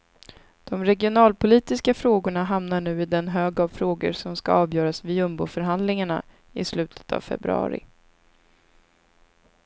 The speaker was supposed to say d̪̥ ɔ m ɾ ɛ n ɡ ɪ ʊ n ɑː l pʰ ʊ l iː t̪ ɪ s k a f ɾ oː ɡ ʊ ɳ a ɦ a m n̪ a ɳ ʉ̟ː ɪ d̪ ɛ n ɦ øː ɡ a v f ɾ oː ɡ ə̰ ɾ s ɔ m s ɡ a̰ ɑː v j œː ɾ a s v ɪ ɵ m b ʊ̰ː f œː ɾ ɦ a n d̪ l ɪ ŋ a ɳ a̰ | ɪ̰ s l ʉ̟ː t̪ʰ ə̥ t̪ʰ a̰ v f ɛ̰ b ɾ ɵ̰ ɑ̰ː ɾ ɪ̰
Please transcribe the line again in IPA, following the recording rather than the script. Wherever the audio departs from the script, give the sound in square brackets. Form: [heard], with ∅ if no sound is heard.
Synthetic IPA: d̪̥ ɔ m ɾ ɛ [∅] ɡ ɪ ʊ n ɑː l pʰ ʊ l iː t̪ ɪ s k a f ɾ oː ɡ ʊ ɳ a ɦ a m n̪ a ɳ ʉ̟ː ɪ d̪ ɛ n ɦ øː ɡ a v f ɾ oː ɡ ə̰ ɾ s ɔ m s [k] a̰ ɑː v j œː ɾ a s v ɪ ɵ m b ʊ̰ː f [œ] ɾ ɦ a n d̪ l ɪ ŋ a ɳ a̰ | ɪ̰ s l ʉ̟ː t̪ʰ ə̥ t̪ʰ a̰ v f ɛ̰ b ɾ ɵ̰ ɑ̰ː ɾ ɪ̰